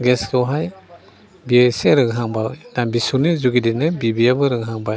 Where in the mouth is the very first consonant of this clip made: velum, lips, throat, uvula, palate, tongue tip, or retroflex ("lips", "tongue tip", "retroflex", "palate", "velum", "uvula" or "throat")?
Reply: velum